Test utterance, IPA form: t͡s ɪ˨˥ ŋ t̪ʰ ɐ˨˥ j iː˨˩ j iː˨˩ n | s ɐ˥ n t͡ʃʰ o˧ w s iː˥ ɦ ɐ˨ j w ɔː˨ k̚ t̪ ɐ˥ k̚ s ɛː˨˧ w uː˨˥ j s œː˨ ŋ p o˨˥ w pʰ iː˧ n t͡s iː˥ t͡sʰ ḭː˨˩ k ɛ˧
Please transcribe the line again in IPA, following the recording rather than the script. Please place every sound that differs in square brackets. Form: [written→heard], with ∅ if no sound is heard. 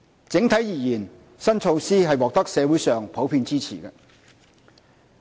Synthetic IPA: t͡s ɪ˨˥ ŋ t̪ʰ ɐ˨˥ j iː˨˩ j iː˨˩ n | s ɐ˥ n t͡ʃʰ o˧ w s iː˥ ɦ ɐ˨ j w ɔː˨ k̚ t̪ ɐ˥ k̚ s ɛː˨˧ w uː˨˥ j s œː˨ ŋ [p→pʰ] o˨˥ w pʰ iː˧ n t͡s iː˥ t͡sʰ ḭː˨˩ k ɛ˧

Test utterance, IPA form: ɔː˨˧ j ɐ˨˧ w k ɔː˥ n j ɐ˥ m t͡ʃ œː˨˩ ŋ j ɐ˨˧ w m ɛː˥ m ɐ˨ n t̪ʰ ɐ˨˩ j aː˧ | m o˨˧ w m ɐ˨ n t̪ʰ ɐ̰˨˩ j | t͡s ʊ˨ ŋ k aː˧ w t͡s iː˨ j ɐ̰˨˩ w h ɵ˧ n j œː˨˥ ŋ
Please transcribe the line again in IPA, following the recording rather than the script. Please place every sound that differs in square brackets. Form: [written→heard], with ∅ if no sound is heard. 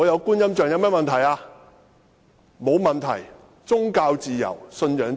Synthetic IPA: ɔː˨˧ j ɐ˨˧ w k [ɔː˥→uː˥] n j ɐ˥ m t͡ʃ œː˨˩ ŋ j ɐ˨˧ w m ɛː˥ m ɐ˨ n t̪ʰ ɐ˨˩ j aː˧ | m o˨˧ w m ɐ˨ n t̪ʰ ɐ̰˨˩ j | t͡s [ʊ˨→ʊ˥] ŋ k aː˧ w t͡s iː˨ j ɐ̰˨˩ w [h→s] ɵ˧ n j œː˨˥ ŋ

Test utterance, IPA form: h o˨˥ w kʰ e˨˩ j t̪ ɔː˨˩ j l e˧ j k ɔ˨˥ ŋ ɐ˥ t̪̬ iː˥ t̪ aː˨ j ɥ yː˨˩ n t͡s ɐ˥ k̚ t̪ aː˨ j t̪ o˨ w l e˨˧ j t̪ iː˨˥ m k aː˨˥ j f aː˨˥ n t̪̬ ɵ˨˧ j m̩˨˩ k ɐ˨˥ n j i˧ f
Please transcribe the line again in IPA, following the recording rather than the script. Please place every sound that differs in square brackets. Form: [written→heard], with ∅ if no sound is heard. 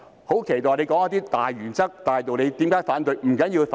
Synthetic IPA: h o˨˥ w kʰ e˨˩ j t̪ ɔː˨˩ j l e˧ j k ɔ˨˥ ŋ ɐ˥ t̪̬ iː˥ t̪ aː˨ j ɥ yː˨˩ n t͡s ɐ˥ k̚ t̪ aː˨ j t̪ o˨ w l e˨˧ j t̪ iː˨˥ m k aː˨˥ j f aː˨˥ n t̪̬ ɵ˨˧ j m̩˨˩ k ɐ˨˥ n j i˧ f

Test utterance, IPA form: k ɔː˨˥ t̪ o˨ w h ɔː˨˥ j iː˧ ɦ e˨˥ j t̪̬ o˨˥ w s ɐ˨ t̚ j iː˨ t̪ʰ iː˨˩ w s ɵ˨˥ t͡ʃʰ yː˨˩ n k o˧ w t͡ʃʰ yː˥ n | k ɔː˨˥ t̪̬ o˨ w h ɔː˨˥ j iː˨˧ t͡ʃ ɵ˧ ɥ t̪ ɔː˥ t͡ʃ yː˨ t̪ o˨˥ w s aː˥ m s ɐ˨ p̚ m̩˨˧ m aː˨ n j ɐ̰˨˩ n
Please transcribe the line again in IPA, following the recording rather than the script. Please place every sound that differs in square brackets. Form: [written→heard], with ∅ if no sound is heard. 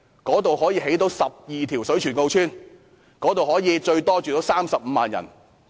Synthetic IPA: k ɔː˨˥ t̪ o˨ w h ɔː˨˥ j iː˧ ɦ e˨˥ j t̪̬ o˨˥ w s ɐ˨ [t̚→p̚] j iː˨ t̪ʰ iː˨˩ w s ɵ˨˥ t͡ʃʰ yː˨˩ n k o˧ w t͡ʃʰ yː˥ n | k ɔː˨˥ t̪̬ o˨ w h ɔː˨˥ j iː˨˧ t͡ʃ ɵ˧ ɥ t̪ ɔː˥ t͡ʃ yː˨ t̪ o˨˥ w s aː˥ m s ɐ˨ p̚ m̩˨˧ m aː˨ n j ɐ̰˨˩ n

